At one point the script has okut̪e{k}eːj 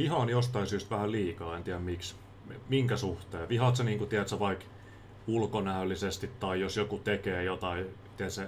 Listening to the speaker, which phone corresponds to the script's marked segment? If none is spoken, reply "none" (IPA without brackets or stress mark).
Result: k